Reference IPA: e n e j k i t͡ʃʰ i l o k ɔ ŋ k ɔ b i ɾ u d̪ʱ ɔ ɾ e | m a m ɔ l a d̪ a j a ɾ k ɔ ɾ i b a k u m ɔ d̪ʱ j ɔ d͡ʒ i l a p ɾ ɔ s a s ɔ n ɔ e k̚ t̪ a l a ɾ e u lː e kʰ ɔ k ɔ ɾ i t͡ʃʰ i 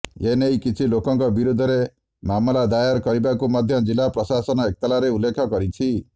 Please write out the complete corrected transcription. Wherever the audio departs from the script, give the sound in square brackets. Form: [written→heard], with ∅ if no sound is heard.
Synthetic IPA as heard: e n e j k i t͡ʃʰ i l o k ɔ ŋ k ɔ b i ɾ u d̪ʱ ɔ ɾ e | m a m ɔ l a d̪ a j a ɾ k ɔ ɾ i b a k u m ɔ d̪ʱ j ɔ d͡ʒ i l a p ɾ ɔ s a s ɔ n ɔ e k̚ t̪ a l a ɾ e u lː e kʰ ɔ k ɔ ɾ i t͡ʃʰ i